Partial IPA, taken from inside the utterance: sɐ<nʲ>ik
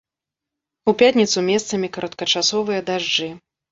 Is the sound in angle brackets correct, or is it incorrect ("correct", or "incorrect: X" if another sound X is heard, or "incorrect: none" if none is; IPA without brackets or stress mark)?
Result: incorrect: mʲ